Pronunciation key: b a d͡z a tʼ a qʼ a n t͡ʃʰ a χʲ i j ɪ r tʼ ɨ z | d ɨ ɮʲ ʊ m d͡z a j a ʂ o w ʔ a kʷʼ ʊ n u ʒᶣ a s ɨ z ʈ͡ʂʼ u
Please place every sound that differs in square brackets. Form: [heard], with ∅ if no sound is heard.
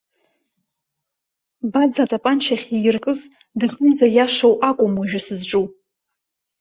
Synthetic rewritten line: b a d͡z a tʼ a [pʼ] a n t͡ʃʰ a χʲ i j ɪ r [kʼ] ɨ z | d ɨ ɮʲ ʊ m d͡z a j a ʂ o w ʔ a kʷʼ ʊ [m] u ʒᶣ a s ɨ z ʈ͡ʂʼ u